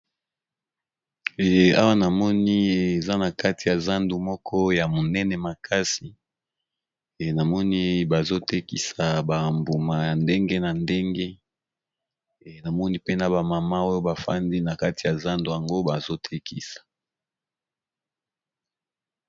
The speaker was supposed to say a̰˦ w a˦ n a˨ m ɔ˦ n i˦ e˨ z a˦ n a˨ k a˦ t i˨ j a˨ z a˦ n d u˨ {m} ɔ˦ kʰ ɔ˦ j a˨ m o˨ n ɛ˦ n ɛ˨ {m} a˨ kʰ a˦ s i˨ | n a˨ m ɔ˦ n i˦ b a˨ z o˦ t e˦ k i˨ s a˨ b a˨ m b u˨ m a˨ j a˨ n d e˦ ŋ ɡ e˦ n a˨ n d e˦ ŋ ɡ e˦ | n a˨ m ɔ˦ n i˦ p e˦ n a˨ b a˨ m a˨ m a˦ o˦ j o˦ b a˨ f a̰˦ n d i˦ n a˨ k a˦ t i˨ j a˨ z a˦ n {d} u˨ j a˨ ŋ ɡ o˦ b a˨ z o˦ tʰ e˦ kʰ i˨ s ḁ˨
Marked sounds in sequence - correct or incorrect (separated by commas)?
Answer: correct, correct, correct